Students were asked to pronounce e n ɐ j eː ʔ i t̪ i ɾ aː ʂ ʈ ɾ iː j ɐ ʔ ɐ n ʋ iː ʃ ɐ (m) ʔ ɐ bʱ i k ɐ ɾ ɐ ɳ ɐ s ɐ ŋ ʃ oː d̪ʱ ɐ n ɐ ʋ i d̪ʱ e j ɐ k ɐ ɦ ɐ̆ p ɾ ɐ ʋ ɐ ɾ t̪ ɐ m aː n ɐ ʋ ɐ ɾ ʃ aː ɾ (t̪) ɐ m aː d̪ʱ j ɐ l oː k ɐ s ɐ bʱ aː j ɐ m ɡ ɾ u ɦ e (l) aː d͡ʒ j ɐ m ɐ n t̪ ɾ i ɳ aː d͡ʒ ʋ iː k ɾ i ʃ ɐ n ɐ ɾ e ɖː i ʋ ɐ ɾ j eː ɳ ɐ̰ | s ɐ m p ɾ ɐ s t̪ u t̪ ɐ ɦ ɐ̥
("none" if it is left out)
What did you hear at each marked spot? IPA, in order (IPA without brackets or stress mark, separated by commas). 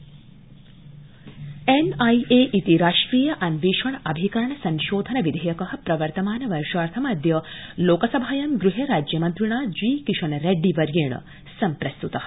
ɳ, t̪ʰ, ɾ